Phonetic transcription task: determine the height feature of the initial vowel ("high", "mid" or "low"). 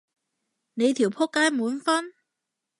mid